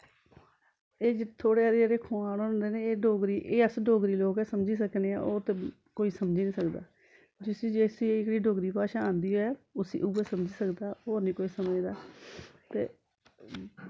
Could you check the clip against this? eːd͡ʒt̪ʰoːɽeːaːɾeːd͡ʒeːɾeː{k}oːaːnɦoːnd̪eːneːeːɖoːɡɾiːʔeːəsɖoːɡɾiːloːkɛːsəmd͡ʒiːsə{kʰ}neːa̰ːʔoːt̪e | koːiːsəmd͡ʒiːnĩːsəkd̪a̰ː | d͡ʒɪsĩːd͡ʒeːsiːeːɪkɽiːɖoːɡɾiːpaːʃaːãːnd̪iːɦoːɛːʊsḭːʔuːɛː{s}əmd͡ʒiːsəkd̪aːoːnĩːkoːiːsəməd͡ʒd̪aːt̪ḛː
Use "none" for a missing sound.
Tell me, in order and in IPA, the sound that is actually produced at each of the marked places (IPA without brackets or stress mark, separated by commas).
kʰ, k, s